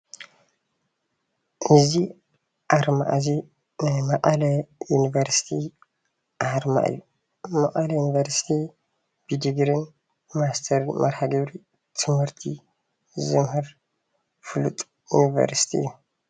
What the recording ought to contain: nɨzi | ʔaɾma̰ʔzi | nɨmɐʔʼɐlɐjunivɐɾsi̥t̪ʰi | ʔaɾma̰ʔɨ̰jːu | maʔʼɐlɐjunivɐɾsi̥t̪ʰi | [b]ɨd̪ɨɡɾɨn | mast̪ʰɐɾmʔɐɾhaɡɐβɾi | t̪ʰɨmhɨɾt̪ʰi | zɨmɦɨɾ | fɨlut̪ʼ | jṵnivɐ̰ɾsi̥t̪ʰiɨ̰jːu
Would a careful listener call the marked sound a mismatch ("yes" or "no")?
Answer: no